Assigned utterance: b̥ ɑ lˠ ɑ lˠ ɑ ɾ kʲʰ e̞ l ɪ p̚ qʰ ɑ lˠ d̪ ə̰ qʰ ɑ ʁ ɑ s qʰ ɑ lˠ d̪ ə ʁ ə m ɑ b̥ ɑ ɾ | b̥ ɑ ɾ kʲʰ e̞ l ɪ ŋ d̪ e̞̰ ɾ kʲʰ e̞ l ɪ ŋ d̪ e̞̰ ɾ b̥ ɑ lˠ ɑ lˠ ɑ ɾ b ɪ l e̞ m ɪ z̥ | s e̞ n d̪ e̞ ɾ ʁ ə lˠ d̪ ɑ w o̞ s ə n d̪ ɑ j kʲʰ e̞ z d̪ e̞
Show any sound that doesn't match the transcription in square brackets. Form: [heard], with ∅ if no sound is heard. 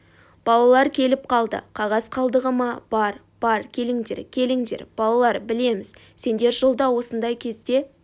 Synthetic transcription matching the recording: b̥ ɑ lˠ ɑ lˠ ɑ ɾ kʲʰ e̞ l ɪ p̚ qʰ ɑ lˠ d̪ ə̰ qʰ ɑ ʁ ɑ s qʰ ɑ lˠ d̪ ə ʁ ə m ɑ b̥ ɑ ɾ | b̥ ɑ ɾ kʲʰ e̞ l ɪ ŋ d̪ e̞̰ ɾ kʲʰ e̞ l ɪ ŋ d̪ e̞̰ ɾ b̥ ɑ lˠ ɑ lˠ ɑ ɾ b ɪ l e̞ m ɪ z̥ | s e̞ n d̪ e̞ ɾ [ʒ] ə lˠ d̪ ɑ w o̞ s ə n d̪ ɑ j kʲʰ e̞ z d̪ e̞